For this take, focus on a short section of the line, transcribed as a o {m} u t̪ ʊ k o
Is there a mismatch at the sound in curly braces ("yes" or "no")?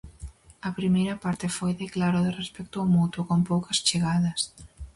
no